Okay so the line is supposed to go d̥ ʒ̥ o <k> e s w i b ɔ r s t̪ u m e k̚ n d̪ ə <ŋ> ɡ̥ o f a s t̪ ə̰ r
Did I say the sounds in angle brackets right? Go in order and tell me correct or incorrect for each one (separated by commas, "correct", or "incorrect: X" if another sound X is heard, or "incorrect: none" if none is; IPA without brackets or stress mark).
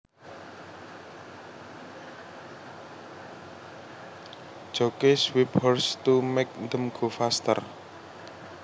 correct, incorrect: m